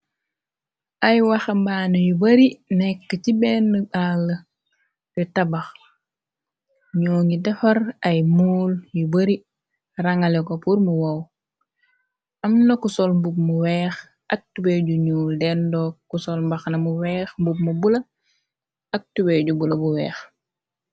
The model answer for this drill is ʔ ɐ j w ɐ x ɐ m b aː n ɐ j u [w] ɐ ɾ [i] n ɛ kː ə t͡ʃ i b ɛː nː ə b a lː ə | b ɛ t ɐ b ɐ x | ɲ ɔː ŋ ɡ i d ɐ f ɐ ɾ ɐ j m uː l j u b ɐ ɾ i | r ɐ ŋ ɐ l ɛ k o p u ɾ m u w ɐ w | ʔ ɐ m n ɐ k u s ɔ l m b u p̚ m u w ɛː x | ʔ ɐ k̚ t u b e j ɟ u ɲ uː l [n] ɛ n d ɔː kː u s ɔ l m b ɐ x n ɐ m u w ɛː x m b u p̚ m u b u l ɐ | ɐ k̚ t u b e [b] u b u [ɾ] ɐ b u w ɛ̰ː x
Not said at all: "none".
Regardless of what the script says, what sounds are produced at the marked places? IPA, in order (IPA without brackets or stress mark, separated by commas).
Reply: b, i, d, ɟ, l